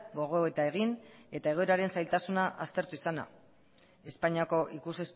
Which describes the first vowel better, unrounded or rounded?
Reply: rounded